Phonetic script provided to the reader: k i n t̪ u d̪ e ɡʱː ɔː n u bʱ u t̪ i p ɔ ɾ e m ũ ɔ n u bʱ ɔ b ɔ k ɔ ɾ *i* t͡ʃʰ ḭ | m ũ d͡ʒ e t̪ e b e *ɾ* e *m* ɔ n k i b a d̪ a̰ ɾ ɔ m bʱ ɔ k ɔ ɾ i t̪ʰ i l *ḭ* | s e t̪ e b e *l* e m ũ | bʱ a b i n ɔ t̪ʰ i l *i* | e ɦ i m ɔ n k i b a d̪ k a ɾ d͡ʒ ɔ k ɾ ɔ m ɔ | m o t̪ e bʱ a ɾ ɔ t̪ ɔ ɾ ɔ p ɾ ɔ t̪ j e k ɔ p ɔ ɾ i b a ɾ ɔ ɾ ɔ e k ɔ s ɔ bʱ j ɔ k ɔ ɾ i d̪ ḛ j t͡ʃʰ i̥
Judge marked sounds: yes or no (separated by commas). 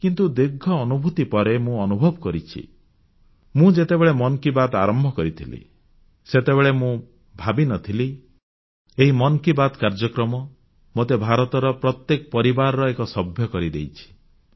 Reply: yes, no, yes, yes, no, yes